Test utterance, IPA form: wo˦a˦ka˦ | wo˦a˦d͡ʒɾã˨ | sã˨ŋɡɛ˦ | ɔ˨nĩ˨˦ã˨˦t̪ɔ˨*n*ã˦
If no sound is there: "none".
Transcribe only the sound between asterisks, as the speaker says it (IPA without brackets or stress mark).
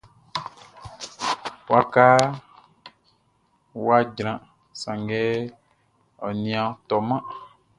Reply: m